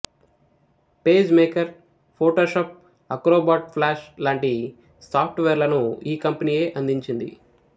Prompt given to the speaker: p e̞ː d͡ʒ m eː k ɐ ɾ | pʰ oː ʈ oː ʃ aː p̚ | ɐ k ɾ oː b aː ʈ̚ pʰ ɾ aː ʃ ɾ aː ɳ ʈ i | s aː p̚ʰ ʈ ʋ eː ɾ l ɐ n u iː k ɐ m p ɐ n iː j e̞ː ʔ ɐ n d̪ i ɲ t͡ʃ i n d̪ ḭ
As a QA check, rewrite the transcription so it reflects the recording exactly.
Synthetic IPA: p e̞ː d͡ʒ m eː k ɐ ɾ | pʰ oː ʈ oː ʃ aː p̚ | ɐ k ɾ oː b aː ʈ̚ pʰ l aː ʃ l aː ɳ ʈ i | s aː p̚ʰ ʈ ʋ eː ɾ l ɐ n u iː k ɐ m p ɐ n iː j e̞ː ʔ ɐ n d̪ i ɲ t͡ʃ i n d̪ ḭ